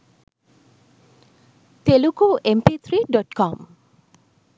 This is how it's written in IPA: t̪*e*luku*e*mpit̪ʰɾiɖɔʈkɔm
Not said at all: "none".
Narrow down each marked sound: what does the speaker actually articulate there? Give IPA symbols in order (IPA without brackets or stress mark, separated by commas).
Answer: e, e